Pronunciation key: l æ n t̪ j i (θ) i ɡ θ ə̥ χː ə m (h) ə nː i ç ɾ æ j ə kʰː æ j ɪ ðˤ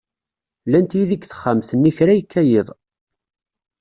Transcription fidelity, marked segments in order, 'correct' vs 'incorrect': incorrect: ð, incorrect: θ

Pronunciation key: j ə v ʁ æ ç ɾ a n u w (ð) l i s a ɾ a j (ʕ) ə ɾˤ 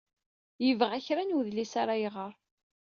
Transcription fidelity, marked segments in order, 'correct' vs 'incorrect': correct, incorrect: ʁ

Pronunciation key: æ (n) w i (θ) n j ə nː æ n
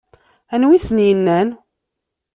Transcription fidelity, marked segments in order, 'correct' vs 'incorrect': correct, incorrect: s

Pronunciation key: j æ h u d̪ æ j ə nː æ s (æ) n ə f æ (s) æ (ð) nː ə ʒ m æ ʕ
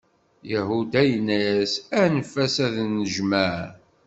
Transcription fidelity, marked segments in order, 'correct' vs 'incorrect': correct, correct, correct

